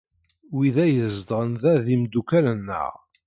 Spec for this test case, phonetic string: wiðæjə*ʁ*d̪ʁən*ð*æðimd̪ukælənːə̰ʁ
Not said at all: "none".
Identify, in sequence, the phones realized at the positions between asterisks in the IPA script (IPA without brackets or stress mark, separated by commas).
z, ð